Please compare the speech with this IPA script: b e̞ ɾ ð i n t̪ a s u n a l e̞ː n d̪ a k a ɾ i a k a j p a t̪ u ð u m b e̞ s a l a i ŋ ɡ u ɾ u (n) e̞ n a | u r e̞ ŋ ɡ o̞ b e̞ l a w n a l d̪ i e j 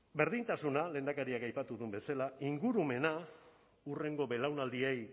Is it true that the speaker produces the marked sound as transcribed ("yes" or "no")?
no